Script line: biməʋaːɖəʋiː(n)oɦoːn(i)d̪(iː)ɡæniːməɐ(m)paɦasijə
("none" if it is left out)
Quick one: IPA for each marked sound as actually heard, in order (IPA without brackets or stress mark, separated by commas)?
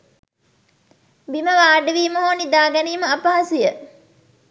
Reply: m, i, aː, none